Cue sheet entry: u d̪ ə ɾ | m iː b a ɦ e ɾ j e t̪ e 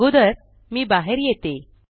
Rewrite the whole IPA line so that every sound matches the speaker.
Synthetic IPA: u d̪ ə ɾ | m iː b a ɦ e ɾ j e t̪ e

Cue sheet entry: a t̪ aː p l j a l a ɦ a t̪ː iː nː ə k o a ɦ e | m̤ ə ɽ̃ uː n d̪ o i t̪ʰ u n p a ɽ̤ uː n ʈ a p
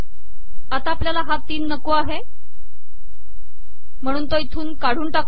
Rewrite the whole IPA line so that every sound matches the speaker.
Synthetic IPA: a t̪ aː p l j a l a ɦ a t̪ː iː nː ə k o a ɦ e | m̤ ə ɽ̃ uː n t̪ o i t̪ʰ uː n k a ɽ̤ uː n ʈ a k

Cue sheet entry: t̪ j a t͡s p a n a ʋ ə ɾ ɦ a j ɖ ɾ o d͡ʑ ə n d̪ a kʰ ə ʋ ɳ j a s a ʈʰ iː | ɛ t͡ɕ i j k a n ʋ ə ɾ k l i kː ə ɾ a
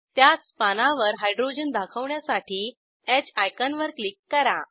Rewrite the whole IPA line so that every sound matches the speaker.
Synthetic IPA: t̪ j a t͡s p a n a ʋ ə ɾ ɦ a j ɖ ɾ o d͡ʑ ə n d̪ a kʰ ə ʋ ɳ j a s a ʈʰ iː | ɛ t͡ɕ a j k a n ʋ ə ɾ k l i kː ə ɾ a

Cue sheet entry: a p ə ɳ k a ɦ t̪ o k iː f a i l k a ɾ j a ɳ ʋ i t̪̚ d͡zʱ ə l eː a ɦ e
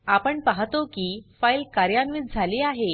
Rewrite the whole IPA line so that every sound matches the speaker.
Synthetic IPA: a p ə ɳ p a ɦ t̪ o k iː f a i l k a ɾ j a n ʋ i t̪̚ d͡zʱ a l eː a ɦ e

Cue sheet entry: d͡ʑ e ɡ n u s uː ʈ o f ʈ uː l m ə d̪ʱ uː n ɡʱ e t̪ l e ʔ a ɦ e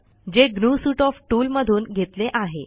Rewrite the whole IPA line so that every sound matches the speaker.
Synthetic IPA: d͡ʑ e ɡ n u s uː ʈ ɔ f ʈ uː l m ə d̪ʱ uː n ɡʱ e t̪ l e ʔ a ɦ e

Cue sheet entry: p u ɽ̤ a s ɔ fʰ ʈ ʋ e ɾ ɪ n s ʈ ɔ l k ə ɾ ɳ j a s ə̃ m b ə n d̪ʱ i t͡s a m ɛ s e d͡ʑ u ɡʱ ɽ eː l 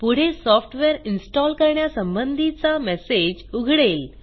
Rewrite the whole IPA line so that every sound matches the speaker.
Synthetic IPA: p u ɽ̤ e s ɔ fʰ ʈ ʋ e ɾ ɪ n s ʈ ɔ l k ə ɾ ɳ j a s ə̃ m b ə n d̪ʱ i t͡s a m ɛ s e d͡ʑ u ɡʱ ɽ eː l

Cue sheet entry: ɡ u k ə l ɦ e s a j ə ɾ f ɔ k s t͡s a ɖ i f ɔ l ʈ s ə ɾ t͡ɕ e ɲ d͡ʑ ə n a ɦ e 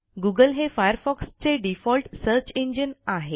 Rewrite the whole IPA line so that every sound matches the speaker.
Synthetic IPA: ɡ u ɡ ə l ɦ e f a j ə ɾ f ɔ k s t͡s e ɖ i f ɔ l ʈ s ə ɾ t͡ɕ e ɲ d͡ʑ ə n a ɦ e

